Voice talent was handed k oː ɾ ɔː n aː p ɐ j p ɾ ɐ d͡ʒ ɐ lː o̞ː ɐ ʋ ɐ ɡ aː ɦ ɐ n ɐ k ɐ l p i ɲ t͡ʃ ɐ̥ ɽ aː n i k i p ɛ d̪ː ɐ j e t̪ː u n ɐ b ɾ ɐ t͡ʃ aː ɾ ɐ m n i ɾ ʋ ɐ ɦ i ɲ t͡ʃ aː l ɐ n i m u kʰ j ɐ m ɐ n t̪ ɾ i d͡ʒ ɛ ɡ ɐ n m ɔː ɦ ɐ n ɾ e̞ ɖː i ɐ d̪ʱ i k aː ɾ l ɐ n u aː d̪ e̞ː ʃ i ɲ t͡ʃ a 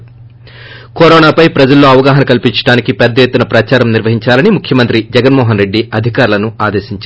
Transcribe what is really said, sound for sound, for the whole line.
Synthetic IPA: k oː ɾ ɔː n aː p ɐ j p ɾ ɐ d͡ʒ ɐ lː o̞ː ɐ ʋ ɐ ɡ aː ɦ ɐ n ɐ k ɐ l p i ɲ t͡ʃ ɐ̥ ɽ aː n i k i p ɛ d̪ː ɐ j e t̪ː u n ɐ p ɾ ɐ t͡ʃ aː ɾ ɐ m n i ɾ ʋ ɐ ɦ i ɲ t͡ʃ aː l ɐ n i m u kʰ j ɐ m ɐ n t̪ ɾ i d͡ʒ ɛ ɡ ɐ n m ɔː ɦ ɐ n ɾ e̞ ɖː i ɐ d̪ʱ i k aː ɾ l ɐ n u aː d̪ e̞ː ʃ i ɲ t͡ʃ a